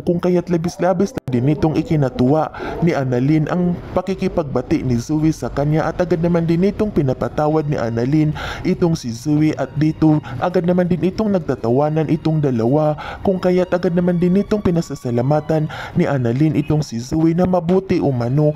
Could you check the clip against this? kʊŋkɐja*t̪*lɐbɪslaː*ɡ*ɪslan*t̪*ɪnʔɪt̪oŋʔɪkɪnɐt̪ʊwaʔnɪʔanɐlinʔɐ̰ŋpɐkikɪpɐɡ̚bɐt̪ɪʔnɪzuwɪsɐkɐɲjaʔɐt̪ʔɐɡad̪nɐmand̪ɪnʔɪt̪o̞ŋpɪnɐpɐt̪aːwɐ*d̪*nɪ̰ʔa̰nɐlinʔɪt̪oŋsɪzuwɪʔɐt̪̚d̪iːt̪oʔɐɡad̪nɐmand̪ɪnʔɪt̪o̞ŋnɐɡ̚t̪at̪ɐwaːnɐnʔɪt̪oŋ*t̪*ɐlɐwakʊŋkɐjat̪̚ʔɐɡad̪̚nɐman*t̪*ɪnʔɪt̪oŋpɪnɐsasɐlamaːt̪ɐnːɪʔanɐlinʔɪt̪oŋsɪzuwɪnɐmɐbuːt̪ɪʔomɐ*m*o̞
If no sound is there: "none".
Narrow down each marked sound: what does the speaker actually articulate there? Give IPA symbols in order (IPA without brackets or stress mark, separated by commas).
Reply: t̪, b, d̪, d̪, d̪, d̪, n